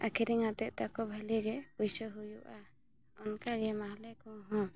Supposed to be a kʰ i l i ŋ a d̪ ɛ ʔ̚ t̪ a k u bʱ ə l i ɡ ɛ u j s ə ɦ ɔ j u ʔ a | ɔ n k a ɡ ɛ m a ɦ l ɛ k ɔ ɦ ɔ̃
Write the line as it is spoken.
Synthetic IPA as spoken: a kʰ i ɾ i ŋ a t̪ ɛ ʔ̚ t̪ a k ɔ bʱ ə l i ɡ ɛ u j s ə ɦ u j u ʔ a | ɔ n k a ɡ ɛ m a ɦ l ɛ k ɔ ɦ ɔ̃